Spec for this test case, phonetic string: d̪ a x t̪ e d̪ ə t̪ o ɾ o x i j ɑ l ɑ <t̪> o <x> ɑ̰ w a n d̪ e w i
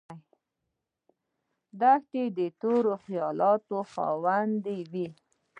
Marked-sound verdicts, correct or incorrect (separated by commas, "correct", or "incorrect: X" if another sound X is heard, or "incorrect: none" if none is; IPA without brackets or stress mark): correct, correct